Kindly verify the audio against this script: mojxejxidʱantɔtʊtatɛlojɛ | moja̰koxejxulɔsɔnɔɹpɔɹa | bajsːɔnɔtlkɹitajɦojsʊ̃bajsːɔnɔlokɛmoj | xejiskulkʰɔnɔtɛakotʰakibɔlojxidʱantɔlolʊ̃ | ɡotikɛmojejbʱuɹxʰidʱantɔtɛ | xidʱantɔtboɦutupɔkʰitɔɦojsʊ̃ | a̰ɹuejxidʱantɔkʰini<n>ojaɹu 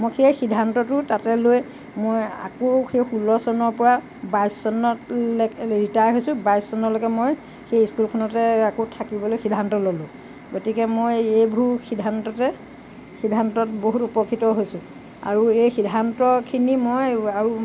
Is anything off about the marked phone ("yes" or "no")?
yes